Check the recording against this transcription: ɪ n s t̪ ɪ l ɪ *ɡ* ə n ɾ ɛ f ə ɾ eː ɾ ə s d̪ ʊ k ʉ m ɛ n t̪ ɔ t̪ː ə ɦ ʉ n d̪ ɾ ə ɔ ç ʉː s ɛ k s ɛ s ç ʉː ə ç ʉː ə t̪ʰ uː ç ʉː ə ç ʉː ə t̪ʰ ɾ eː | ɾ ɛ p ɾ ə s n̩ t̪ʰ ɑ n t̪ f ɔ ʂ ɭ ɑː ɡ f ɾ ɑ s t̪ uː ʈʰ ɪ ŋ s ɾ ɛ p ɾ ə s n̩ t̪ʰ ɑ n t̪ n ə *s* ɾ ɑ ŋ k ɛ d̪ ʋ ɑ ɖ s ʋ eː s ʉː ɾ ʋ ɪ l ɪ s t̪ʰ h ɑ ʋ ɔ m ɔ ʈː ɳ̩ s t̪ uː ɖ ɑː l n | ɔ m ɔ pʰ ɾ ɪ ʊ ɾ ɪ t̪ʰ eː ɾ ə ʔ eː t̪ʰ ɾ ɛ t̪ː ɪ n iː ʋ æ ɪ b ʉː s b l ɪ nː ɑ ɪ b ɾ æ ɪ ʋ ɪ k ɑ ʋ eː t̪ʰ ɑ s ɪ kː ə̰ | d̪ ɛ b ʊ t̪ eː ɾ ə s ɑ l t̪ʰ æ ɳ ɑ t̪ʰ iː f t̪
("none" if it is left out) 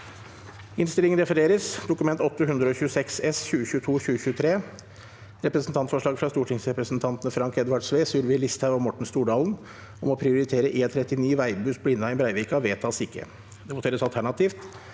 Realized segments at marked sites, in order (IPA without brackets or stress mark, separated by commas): ŋ, f